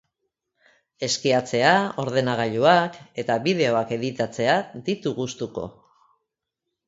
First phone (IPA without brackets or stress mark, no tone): e̞